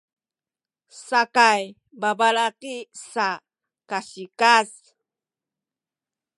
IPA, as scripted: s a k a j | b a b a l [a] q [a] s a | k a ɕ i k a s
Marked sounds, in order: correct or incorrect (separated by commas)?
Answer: correct, incorrect